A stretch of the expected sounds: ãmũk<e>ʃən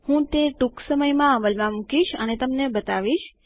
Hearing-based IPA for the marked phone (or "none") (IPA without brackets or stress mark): i